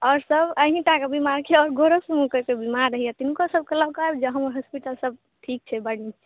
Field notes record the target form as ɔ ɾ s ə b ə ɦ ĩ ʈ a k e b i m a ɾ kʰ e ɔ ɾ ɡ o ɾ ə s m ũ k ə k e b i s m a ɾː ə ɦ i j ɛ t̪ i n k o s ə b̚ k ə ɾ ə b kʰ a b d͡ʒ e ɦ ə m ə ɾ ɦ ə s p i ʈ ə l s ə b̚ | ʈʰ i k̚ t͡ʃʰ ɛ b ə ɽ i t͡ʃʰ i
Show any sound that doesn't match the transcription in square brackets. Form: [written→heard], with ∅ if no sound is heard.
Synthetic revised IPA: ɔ ɾ s ə b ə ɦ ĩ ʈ a k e b i m a ɾ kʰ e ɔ ɾ ɡ o ɾ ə s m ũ k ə k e b i [s→∅] m a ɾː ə ɦ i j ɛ t̪ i n k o s ə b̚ k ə [ɾ→l] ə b [kʰ→k] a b d͡ʒ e ɦ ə m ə ɾ ɦ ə s p i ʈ ə l s ə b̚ | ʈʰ i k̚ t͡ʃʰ ɛ b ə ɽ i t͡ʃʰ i